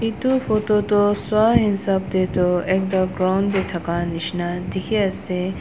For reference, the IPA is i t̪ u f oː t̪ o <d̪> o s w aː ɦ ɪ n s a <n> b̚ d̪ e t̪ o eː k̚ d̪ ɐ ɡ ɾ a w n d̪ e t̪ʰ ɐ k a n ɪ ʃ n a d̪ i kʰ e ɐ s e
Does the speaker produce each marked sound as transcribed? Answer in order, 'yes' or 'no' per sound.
no, no

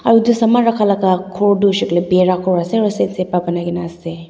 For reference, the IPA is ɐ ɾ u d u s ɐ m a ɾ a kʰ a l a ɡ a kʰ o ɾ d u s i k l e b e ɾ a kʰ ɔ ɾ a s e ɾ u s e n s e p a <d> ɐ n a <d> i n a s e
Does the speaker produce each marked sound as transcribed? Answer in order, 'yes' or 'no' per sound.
no, no

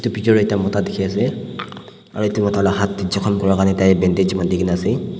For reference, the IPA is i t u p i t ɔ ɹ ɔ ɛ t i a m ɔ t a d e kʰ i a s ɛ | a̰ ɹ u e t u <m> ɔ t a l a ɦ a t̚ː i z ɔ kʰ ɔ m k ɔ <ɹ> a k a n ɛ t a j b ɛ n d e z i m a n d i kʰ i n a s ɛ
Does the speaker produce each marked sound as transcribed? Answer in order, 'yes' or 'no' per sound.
yes, yes

